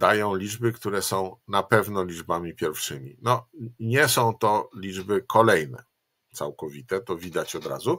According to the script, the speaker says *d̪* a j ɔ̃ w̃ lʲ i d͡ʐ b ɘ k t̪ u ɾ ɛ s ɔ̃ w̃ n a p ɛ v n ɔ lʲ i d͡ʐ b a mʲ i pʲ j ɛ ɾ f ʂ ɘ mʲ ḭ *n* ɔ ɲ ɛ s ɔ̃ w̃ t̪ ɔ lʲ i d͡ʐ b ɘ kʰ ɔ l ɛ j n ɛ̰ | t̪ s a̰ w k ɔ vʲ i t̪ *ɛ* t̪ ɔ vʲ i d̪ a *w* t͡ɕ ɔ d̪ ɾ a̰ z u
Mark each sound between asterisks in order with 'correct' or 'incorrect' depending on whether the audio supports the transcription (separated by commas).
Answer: correct, correct, correct, incorrect